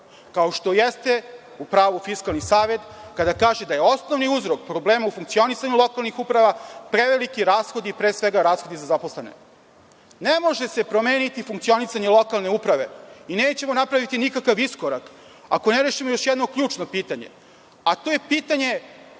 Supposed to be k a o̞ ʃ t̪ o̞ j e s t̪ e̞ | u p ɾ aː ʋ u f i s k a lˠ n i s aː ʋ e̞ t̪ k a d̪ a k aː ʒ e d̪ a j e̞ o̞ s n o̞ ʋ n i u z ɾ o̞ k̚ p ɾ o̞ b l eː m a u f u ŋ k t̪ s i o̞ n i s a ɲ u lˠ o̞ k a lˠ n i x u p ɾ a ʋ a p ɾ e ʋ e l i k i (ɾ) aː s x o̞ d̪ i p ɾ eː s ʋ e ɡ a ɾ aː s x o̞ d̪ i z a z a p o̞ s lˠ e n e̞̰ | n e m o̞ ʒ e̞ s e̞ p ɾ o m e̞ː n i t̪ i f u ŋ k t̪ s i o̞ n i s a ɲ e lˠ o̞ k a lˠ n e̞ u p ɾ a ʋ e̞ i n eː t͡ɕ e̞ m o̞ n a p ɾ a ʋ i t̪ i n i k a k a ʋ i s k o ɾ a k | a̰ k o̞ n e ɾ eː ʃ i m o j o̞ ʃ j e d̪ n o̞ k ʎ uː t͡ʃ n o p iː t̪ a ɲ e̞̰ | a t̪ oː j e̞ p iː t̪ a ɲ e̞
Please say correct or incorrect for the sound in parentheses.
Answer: correct